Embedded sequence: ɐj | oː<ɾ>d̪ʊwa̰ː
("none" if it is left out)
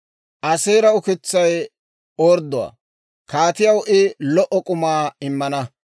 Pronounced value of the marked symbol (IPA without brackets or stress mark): ɾ